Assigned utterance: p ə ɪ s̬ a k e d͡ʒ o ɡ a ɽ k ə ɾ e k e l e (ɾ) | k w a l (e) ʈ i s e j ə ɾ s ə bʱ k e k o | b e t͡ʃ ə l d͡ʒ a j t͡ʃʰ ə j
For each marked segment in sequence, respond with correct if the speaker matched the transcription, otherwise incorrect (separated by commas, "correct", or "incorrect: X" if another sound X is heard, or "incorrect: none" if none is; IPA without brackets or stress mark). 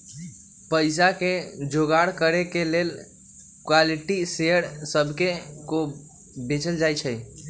incorrect: l, incorrect: i